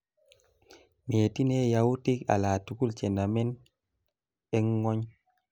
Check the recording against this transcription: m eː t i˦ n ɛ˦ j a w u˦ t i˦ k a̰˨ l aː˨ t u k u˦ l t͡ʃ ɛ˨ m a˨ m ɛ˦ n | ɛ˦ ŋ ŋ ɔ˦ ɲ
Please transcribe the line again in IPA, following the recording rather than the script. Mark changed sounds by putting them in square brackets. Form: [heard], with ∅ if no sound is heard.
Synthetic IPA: m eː t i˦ n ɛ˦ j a w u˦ t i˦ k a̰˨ l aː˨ t u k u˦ l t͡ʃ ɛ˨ [n] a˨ m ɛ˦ n | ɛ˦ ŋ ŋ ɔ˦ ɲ